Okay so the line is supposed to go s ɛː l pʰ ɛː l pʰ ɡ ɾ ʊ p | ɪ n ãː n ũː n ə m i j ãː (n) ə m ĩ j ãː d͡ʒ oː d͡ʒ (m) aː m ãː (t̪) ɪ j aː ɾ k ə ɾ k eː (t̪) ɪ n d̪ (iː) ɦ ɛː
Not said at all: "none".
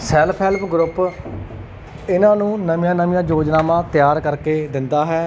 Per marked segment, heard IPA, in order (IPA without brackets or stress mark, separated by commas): n, n, t̪, d̪, aː